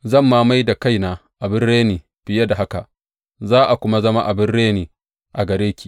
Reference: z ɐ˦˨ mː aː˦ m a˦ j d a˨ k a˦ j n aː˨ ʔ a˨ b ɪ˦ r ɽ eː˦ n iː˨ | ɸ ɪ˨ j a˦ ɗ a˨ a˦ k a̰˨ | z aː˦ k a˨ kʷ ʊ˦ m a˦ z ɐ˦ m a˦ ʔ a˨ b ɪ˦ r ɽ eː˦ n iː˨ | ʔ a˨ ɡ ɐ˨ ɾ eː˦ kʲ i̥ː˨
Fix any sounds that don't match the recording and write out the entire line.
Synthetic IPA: z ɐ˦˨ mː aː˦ m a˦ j d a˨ k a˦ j n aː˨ ʔ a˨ b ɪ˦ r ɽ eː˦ n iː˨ | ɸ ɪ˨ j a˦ d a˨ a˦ k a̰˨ | z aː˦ ʔ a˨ kʷ ʊ˦ m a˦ z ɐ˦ m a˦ ʔ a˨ b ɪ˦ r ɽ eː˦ n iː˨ | ʔ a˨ ɡ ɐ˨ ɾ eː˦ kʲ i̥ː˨